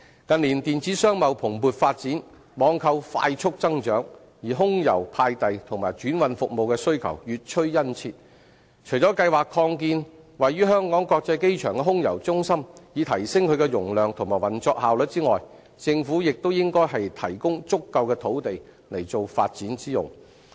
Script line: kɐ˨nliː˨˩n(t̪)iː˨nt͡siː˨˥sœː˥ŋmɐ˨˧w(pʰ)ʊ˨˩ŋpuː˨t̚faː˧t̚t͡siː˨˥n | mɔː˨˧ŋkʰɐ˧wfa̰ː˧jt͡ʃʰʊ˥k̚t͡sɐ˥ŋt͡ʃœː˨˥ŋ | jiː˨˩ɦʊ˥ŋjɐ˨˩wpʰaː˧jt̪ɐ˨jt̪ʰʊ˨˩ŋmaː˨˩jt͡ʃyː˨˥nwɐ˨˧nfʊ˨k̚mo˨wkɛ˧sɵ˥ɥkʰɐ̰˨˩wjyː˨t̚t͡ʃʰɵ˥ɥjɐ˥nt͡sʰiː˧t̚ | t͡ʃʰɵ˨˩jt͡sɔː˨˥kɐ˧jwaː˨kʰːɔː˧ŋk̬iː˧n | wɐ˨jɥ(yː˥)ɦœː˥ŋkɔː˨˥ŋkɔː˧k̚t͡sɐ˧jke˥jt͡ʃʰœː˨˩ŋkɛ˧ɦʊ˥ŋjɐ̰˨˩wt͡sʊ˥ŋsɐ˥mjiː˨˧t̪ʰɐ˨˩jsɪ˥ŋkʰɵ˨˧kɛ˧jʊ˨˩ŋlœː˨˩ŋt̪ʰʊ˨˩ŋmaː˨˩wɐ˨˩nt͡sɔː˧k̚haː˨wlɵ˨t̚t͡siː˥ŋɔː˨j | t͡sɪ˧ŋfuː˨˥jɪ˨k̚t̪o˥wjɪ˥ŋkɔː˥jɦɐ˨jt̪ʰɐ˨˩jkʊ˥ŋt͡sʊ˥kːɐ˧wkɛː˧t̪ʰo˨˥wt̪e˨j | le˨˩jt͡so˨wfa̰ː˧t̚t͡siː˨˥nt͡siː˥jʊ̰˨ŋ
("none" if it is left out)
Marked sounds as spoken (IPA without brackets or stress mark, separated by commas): t̪, pʰ, yː˥